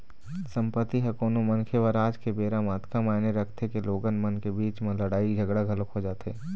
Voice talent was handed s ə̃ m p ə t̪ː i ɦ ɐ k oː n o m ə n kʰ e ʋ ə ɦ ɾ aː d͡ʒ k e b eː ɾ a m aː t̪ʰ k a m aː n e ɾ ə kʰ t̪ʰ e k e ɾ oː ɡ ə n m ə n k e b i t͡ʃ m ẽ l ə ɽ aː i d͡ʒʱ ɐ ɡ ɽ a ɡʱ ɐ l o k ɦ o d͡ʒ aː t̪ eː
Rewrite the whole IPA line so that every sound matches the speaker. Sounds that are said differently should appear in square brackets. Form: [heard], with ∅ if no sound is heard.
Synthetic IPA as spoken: s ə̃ m p ə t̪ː i ɦ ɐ k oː n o m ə n kʰ e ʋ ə [∅] ɾ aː d͡ʒ k e b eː ɾ a m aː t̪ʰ k a m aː n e ɾ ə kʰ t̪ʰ e k e [l] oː ɡ ə n m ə n k e b [iː] t͡ʃ m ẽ l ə ɽ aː i d͡ʒʱ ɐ ɡ ɽ a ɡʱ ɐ l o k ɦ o d͡ʒ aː t̪ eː